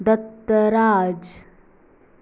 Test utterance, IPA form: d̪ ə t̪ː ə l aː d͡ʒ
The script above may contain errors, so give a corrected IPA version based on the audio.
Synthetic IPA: d̪ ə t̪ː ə ɾ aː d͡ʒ